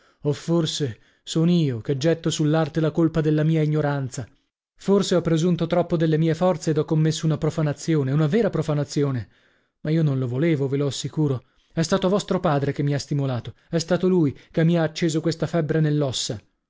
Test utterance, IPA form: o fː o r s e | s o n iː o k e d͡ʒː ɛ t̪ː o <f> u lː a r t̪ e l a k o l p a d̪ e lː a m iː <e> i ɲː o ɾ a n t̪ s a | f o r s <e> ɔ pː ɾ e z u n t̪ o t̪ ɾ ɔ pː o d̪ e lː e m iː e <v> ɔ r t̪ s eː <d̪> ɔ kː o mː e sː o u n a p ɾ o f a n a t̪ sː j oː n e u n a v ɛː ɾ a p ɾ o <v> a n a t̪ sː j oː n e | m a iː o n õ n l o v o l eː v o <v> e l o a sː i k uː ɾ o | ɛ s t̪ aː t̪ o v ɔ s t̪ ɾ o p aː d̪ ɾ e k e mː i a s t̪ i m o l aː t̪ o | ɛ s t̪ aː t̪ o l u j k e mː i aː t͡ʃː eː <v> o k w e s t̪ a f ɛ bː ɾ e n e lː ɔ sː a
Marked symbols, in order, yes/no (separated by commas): no, no, yes, no, yes, no, yes, no